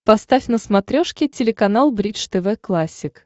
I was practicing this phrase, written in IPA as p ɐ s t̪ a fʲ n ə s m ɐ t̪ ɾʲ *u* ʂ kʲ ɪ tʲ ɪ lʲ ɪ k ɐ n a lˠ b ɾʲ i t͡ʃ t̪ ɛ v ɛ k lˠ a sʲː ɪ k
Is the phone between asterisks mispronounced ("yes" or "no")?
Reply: yes